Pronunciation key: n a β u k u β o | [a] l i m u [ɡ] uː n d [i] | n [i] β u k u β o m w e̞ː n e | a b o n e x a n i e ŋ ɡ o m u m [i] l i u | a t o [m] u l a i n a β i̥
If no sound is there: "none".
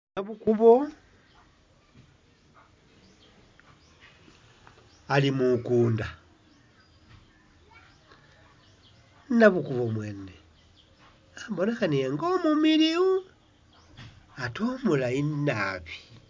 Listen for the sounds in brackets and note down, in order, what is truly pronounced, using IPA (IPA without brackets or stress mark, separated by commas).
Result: a, k, a, a, i, m